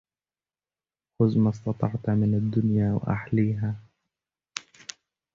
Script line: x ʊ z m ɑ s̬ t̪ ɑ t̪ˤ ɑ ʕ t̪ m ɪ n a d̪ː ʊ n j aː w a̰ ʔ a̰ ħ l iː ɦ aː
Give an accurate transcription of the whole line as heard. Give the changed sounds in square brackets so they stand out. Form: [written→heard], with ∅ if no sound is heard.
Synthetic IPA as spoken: x ʊ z m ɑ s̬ t̪ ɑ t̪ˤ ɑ ʕ t̪ m ɪ n a d̪ː ʊ n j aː w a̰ ʔ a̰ ħ l iː ɦ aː